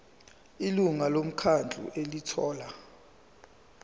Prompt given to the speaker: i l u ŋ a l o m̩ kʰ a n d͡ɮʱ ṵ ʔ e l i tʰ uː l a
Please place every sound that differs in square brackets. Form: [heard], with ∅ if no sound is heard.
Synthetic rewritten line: i l u ŋ a l o m̩ kʰ a n d͡ɮʱ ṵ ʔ e l i tʰ [ɔː] l a